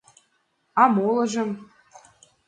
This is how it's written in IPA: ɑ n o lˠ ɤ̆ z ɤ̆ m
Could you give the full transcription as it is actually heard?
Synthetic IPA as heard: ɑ m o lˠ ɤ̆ ʒ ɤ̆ m